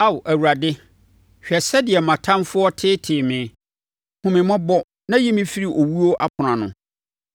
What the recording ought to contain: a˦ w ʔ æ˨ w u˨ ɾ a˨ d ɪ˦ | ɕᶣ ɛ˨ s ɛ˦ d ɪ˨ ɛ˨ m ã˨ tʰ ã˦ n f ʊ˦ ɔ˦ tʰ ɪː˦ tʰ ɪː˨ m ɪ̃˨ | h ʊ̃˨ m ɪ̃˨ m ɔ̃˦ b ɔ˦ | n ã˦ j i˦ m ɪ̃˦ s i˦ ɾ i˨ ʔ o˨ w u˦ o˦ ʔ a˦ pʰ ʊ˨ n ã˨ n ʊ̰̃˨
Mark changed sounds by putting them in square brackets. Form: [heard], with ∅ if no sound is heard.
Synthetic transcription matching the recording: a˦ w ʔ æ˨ w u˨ ɾ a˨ d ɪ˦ | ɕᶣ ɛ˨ s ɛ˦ d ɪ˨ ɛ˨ m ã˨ tʰ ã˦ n f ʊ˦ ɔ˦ tʰ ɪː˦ tʰ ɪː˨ m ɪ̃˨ | h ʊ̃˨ m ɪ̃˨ m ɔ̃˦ b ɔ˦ | n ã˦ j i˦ m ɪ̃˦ [f] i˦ ɾ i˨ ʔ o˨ w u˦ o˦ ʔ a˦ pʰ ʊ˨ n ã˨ n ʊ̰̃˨